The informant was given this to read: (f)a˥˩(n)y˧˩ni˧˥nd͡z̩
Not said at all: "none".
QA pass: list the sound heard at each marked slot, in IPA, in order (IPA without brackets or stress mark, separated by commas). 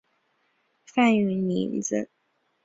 f, n